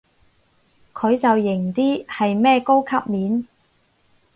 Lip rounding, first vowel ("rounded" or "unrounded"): rounded